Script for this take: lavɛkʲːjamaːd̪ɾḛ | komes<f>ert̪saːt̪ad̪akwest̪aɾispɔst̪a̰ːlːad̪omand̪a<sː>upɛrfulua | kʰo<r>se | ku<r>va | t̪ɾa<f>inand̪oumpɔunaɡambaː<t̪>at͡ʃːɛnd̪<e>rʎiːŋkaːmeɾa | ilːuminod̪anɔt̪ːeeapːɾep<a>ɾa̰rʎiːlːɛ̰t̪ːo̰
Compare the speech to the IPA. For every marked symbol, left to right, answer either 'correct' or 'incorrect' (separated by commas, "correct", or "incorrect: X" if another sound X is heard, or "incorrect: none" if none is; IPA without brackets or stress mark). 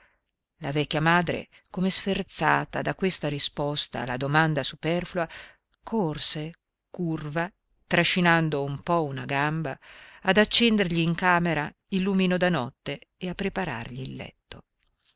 correct, incorrect: s, correct, correct, incorrect: ʃ, incorrect: d̪, correct, correct